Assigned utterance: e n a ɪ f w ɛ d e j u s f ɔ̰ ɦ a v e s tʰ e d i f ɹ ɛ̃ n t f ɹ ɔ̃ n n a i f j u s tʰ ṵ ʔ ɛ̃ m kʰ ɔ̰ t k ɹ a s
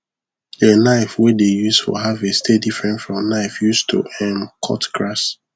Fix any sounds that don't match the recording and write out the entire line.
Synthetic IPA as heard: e n a ɪ f w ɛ d e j u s f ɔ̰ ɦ a v e s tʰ e d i f ɹ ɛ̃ n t f ɹ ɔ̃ m n a ɪ f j u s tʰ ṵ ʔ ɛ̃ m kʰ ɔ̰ t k ɹ a s